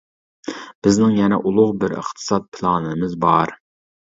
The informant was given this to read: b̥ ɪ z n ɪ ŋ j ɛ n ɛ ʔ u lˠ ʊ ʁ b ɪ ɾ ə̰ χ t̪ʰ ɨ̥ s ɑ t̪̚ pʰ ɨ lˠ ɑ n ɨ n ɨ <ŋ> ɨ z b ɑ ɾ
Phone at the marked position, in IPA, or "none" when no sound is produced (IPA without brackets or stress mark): m